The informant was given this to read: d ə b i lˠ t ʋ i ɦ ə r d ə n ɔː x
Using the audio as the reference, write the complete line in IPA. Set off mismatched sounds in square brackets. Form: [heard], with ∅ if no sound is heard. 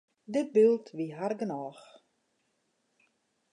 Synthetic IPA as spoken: d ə b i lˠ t ʋ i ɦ [a] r [ɡ] ə n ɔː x